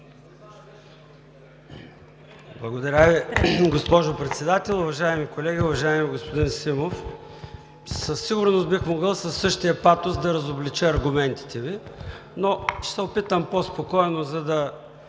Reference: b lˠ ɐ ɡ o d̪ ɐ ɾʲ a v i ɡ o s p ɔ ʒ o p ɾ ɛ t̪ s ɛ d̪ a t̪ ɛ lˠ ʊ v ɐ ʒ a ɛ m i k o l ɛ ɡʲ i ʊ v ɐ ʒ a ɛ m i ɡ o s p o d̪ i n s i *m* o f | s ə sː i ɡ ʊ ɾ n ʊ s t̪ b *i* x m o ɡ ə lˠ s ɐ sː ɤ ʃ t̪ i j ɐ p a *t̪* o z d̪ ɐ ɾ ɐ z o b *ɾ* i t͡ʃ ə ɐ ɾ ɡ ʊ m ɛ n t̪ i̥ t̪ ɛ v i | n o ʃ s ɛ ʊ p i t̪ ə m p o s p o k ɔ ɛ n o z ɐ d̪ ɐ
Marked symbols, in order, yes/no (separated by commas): yes, yes, yes, no